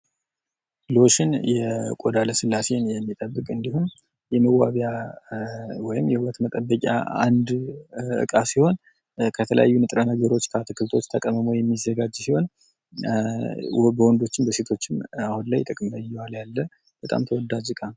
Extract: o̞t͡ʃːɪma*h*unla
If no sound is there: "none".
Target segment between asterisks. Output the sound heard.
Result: h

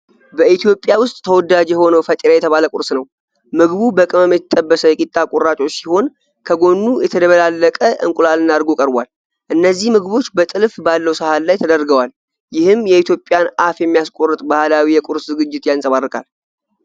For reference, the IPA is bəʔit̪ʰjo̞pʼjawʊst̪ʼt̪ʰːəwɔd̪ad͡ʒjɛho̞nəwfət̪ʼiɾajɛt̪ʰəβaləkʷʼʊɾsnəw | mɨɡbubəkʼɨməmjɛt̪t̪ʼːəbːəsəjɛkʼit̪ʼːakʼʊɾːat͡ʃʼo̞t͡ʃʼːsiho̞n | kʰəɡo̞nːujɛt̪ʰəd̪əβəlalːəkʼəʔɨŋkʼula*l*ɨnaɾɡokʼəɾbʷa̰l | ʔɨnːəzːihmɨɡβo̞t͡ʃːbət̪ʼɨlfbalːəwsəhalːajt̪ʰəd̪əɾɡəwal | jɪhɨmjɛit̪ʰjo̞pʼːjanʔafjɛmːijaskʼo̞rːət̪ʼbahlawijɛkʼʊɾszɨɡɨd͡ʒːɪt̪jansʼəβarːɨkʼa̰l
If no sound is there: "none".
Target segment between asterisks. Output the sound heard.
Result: l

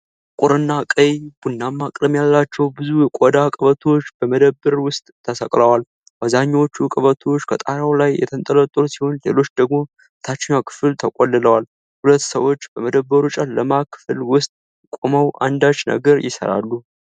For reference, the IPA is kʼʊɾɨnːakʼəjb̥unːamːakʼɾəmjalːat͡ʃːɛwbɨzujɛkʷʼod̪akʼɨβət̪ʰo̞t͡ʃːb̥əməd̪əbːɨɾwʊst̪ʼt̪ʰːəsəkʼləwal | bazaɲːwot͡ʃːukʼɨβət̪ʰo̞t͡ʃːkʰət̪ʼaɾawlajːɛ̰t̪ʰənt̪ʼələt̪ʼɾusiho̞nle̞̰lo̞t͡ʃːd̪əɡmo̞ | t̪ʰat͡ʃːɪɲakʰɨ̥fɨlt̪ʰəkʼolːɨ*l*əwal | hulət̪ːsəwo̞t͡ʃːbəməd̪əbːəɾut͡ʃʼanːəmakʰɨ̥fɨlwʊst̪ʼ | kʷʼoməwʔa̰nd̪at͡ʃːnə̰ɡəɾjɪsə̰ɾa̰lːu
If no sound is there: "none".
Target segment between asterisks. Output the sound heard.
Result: l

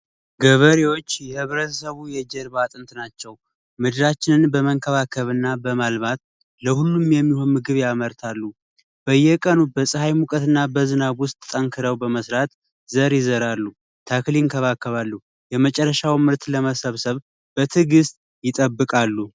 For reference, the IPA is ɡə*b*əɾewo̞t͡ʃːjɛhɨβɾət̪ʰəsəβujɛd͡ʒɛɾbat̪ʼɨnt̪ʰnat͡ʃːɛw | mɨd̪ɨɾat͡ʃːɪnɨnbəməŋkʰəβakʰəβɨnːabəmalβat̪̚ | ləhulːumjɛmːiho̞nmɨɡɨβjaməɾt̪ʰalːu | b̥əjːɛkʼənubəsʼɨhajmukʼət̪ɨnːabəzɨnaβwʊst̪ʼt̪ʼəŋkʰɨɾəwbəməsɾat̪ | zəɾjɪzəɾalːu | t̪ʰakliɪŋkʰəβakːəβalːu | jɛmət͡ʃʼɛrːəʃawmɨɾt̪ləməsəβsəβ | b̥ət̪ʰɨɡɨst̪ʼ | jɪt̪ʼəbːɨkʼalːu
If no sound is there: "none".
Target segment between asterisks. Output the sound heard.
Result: β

